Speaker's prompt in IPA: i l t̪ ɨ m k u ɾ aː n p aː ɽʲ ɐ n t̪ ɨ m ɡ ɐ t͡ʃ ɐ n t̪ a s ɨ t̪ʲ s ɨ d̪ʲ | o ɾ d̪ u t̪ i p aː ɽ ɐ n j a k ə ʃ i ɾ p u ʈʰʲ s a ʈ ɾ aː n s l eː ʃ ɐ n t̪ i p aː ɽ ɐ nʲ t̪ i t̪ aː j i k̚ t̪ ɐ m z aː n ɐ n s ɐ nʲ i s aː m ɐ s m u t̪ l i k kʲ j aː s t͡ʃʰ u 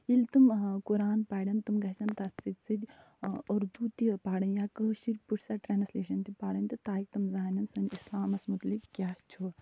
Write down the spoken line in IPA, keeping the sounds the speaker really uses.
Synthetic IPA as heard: i l t̪ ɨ m k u ɾ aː n p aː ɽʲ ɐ n t̪ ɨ m ɡ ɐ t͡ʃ ɐ n t̪ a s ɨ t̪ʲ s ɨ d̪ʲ | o ɾ d̪ u t̪ i p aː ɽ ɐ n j a k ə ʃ i ɾ p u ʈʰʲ s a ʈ ɾ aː n s l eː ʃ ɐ n t̪ i p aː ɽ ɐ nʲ t̪ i t̪ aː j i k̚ t̪ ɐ m z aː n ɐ n s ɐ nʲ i s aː m ɐ s m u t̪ l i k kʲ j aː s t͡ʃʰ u